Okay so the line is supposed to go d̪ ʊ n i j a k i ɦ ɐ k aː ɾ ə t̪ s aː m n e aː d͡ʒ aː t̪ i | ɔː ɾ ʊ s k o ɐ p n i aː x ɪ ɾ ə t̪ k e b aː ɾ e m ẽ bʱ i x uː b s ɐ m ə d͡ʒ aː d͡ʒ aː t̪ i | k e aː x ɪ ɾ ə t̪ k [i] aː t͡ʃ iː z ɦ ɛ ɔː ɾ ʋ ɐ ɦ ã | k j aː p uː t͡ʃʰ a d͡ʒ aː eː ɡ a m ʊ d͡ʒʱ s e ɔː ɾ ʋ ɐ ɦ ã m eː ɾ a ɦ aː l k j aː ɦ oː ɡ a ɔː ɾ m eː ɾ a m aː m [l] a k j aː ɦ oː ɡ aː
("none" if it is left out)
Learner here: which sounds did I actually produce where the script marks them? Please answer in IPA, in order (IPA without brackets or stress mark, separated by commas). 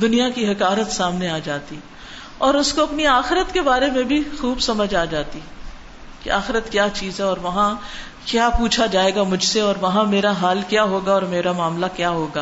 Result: j, l